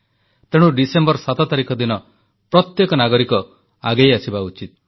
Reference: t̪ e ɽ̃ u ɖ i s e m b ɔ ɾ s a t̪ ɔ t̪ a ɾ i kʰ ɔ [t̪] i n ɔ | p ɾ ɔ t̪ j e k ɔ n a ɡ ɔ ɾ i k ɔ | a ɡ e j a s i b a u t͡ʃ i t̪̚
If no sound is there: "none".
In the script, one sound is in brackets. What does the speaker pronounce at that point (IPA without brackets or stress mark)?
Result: d̪